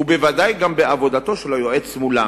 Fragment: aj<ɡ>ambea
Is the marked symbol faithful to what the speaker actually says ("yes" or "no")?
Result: yes